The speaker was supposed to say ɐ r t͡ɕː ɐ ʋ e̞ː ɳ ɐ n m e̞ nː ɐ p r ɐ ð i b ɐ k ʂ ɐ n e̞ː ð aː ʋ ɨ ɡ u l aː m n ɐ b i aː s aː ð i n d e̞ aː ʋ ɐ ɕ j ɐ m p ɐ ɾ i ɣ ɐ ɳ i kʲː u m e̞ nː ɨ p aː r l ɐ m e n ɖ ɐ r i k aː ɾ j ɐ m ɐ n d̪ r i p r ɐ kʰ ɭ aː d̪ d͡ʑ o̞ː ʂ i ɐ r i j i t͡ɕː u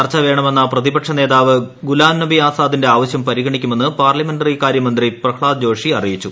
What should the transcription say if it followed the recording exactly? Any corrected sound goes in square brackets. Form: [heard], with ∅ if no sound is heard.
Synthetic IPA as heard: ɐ r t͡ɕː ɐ ʋ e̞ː ɳ ɐ [∅] m e̞ nː ɐ p r ɐ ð i b ɐ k ʂ ɐ n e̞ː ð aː ʋ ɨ ɡ u l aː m n ɐ b i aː s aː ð i n d e̞ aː ʋ ɐ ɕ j ɐ m p ɐ ɾ i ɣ ɐ ɳ i kʲː u m e̞ nː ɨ p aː r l ɐ m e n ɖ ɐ r i k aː ɾ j ɐ m ɐ n d̪ r i p r ɐ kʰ ɭ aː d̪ d͡ʑ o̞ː ʂ i ɐ r i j i t͡ɕː u